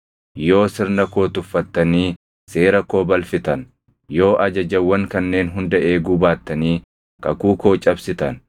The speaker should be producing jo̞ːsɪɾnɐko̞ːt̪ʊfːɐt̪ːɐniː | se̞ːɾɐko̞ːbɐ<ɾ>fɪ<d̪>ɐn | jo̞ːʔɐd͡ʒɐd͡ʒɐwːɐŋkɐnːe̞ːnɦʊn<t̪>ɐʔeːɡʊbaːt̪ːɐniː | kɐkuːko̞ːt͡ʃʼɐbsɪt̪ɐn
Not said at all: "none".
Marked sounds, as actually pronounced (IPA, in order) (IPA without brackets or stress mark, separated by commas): l, t̪, d̪